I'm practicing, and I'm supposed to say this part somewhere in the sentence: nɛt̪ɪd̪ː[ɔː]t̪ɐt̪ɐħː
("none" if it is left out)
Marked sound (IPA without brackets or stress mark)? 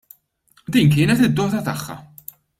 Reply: ɔː